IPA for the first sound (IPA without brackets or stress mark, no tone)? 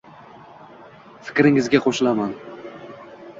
f